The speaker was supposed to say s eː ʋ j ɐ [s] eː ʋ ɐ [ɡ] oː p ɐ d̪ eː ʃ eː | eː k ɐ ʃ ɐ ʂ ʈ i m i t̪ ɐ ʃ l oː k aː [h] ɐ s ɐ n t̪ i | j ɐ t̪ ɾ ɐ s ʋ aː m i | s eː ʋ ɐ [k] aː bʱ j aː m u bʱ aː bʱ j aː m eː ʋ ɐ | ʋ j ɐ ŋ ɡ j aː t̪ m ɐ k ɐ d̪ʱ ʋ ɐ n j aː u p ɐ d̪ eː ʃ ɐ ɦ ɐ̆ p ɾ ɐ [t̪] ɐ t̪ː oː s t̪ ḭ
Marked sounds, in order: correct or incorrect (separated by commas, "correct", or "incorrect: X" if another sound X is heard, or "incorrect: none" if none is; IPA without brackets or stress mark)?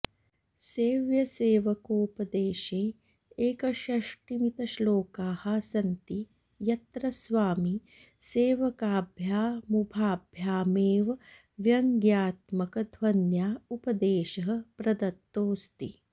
correct, incorrect: k, correct, correct, incorrect: d̪